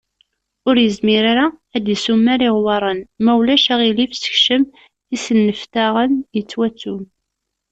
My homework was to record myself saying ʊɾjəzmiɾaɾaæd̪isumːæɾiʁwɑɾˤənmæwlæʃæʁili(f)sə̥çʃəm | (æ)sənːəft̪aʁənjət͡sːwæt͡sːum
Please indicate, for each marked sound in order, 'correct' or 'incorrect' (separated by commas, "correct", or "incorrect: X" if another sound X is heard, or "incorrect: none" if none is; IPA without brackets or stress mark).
correct, incorrect: i